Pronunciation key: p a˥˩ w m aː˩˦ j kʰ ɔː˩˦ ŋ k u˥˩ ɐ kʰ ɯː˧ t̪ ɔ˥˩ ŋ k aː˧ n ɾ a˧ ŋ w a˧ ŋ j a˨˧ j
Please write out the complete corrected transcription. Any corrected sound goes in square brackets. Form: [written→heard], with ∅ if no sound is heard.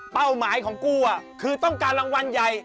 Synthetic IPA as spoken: p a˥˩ w m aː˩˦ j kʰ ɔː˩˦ ŋ k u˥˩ ɐ kʰ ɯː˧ t̪ ɔ˥˩ ŋ k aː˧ n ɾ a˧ ŋ w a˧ [ŋ→n] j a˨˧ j